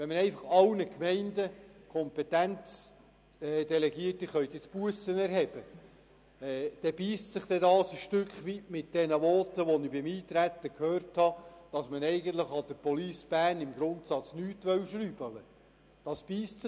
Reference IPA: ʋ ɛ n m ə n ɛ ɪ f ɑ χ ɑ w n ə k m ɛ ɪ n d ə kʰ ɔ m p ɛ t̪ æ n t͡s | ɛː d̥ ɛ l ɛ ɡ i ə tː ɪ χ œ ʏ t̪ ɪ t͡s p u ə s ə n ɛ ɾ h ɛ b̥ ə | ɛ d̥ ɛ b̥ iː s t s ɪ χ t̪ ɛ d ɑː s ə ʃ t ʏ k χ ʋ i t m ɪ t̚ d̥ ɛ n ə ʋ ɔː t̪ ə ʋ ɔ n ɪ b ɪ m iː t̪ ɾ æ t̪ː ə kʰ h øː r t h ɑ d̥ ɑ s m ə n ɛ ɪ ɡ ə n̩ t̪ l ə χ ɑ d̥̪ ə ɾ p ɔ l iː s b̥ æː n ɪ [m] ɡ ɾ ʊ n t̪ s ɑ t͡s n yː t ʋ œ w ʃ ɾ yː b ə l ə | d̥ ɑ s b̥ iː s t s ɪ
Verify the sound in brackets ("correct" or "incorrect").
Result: correct